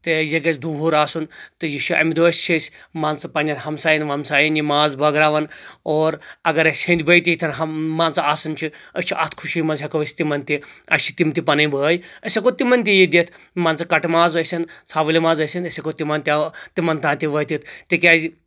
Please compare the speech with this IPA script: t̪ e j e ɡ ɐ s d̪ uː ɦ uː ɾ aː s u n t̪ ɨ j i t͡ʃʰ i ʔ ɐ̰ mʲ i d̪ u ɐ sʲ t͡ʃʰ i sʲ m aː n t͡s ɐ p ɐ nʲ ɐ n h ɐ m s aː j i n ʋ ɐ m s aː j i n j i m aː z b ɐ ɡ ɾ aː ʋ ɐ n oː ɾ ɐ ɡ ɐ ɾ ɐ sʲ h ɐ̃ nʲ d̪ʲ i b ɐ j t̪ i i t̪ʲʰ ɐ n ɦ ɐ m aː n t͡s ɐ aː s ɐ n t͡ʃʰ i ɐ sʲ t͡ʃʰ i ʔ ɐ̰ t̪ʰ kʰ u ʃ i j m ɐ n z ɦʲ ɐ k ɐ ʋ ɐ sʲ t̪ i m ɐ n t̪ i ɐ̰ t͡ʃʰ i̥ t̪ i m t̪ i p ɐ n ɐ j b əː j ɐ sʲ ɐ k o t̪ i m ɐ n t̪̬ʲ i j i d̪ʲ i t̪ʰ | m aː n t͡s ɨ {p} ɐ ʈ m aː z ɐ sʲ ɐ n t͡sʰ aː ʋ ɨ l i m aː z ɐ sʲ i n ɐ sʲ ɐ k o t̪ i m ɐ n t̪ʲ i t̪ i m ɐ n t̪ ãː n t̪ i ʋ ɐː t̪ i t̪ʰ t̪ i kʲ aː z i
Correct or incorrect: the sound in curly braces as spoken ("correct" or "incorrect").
incorrect